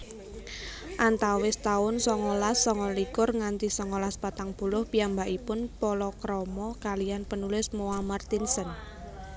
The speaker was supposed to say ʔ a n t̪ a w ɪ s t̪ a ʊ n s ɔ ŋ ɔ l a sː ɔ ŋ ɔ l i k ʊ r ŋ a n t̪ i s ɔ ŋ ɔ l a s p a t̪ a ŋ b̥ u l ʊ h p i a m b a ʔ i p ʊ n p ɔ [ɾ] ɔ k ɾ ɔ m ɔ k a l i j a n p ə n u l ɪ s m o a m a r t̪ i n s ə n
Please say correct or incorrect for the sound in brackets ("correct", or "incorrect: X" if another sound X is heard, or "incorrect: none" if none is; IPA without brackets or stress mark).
incorrect: l